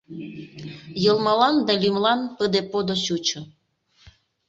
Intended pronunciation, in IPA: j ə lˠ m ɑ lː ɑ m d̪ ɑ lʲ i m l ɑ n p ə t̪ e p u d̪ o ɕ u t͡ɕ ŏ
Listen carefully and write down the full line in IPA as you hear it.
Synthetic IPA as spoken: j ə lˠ m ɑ l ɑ n d̪ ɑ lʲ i m l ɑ n p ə d̪ e p o d̪ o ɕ u t͡ɕ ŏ